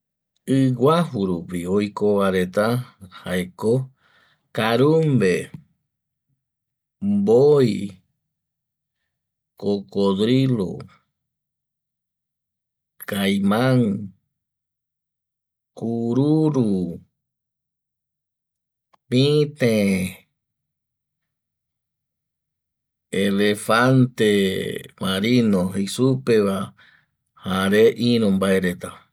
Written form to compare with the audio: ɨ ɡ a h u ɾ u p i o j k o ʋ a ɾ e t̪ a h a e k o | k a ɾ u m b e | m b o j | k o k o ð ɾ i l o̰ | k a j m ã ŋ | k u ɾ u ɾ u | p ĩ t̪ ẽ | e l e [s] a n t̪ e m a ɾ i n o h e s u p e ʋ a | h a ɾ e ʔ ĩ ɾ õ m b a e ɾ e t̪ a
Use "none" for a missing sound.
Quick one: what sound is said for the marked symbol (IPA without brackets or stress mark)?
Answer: f